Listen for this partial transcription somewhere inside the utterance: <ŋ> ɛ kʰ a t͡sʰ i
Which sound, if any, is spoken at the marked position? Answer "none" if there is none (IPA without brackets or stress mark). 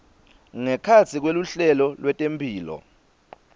ŋ